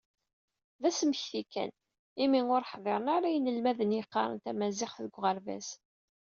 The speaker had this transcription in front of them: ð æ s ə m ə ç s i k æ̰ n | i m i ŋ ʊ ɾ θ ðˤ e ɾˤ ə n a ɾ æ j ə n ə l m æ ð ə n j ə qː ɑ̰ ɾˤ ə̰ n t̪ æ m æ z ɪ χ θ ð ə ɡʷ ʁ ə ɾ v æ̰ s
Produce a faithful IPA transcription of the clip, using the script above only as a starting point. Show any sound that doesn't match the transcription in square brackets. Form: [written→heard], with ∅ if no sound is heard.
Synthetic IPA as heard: ð æ s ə m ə ç [s→θ] i k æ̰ n | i m i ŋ ʊ ɾ [θ→ħ] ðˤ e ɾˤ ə n a ɾ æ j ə n ə l m æ ð ə n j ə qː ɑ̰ ɾˤ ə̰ n t̪ æ m æ z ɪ χ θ ð ə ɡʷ ʁ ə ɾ v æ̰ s